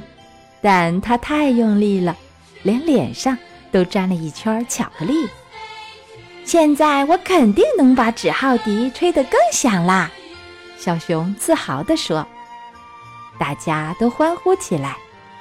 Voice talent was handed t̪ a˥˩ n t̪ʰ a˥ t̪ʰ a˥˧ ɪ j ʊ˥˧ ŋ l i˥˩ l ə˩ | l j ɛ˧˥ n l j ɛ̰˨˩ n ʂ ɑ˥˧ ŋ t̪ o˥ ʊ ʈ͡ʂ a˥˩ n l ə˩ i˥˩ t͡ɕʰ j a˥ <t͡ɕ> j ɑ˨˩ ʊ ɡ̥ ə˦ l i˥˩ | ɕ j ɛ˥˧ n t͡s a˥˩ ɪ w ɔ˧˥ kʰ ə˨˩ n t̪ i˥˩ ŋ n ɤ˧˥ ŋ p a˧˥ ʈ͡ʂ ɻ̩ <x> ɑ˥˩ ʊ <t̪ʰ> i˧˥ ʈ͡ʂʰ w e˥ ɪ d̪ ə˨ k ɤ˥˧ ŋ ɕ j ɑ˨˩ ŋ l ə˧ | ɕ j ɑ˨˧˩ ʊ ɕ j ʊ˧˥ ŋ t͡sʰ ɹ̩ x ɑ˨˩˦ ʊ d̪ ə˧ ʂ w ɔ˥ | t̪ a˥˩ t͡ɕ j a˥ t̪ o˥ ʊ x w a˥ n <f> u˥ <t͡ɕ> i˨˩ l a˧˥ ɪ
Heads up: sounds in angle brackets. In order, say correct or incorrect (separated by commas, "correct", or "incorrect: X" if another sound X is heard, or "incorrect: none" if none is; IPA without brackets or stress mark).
incorrect: t͡ɕʰ, correct, incorrect: t̪, incorrect: x, incorrect: t͡ɕʰ